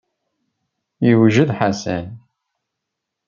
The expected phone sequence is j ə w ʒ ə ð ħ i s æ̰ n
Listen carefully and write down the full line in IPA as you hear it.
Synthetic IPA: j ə w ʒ ə ð ħ a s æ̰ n